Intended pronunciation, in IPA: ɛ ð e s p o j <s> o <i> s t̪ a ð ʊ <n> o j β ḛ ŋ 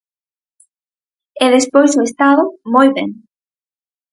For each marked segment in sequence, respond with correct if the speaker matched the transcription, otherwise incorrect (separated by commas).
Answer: correct, incorrect, incorrect